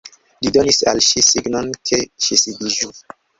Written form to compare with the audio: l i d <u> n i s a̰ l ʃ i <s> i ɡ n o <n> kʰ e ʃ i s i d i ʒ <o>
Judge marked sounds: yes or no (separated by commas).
no, yes, yes, no